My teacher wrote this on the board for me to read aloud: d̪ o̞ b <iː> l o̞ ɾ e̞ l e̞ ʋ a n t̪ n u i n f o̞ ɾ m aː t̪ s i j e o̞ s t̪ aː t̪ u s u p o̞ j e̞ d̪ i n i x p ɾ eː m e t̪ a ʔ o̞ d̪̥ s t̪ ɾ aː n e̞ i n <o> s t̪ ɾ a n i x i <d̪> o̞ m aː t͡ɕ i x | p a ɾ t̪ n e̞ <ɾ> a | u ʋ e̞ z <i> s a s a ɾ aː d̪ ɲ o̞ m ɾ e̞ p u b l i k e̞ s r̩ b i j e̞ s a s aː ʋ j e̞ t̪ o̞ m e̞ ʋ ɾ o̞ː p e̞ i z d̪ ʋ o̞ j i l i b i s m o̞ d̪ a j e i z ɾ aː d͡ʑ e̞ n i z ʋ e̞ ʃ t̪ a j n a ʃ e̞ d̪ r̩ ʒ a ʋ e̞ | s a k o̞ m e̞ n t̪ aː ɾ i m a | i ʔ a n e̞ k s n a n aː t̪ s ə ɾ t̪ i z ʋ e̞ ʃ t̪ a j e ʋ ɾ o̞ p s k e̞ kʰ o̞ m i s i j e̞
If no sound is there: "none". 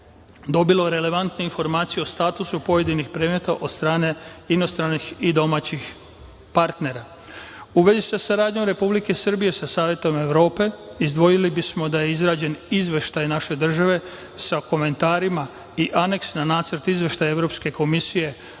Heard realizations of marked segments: i, o, d̪, ɾ, i

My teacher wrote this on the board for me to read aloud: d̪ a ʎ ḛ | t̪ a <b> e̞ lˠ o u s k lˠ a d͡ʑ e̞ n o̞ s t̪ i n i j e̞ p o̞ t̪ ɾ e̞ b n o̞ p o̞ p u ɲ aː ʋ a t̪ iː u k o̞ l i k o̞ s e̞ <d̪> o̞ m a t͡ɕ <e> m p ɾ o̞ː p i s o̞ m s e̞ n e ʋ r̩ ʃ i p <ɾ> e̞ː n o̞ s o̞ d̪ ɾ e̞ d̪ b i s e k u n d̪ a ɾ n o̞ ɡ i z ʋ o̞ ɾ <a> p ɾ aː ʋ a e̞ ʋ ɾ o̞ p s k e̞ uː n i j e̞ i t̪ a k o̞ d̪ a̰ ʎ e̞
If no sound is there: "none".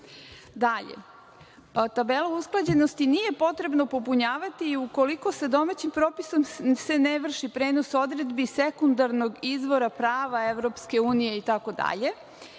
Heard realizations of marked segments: b, d̪, i, ɾ, a

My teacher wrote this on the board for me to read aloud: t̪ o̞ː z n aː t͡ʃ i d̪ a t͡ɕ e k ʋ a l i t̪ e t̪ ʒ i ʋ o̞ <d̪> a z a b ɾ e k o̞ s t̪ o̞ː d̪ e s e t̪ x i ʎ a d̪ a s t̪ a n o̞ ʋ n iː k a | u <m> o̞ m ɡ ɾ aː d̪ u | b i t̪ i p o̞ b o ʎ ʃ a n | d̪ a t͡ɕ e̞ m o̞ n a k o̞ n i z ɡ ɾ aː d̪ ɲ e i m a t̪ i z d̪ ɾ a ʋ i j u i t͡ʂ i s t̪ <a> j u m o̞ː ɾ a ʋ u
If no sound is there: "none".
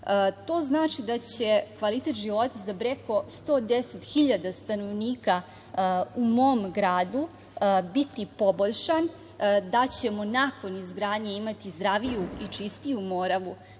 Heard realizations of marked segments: t̪, m, i

